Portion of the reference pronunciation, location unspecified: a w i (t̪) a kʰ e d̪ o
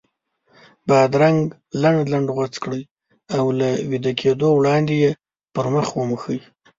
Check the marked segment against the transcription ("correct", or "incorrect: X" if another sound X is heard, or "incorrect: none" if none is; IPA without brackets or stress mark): incorrect: d̪